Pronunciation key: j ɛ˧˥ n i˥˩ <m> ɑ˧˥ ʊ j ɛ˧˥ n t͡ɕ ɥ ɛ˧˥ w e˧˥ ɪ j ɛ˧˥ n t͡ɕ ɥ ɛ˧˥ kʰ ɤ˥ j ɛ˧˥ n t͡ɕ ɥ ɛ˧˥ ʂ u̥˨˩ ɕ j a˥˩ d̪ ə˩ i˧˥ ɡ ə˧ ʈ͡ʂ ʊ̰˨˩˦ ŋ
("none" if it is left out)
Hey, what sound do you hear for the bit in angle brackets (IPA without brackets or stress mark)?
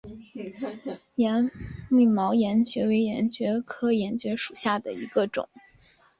m